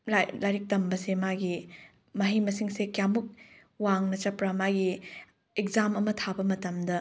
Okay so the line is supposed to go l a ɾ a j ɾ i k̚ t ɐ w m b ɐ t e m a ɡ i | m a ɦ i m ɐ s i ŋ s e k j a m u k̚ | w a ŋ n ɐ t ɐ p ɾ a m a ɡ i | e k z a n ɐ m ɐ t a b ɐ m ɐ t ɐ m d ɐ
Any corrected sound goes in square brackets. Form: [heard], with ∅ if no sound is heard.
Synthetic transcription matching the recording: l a [l] a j ɾ i k̚ t ɐ [∅] m b ɐ [s] e m a ɡ i | m [ɐ] ɦ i m ɐ s i ŋ s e k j a m u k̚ | w a ŋ n ɐ [t͡ʃ] ɐ p ɾ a m a ɡ i | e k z a [m] ɐ m ɐ [tʰ] a b ɐ m ɐ t ɐ m d ɐ